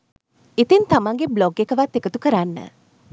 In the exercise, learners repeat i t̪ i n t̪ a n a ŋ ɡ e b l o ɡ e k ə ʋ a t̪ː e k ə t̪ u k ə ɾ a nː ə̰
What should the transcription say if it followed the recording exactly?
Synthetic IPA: i t̪ i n t̪ a m a ŋ ɡ e b l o ɡ e k ə ʋ a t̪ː e k ə t̪ u k ə ɾ a nː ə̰